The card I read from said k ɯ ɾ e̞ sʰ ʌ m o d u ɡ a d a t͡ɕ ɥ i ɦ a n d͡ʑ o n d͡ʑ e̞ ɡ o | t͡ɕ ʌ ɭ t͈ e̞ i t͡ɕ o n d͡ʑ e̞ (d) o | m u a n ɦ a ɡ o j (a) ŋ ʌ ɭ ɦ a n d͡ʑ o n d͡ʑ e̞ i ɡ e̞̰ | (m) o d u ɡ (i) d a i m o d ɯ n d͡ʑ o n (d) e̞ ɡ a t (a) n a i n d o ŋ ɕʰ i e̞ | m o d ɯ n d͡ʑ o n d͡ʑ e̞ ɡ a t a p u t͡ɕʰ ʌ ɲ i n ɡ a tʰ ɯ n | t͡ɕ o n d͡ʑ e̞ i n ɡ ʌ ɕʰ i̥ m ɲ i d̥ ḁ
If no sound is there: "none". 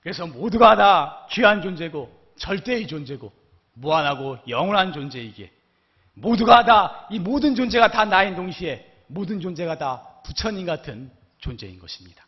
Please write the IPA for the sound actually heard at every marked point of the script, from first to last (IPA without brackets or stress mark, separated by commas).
ɡ, ʌ, m, a, d͡ʑ, a